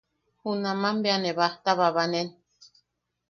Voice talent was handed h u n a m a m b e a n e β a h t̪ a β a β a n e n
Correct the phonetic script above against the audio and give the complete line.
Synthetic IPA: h u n a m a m b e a n e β a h t̪ a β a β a n e n